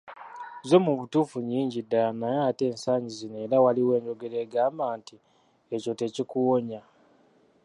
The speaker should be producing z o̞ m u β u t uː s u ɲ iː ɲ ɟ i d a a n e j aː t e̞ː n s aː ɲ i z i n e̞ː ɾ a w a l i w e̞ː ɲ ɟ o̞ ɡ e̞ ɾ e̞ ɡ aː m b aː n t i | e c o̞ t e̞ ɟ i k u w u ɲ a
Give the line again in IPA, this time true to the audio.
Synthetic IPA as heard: z o̞ m u β u t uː f u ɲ iː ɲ ɟ i d a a n a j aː t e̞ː n s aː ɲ i z i n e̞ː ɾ a w a l i w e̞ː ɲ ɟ o̞ ɡ e̞ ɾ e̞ ɡ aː m b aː n t i | e c o̞ t e̞ c i k u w o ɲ a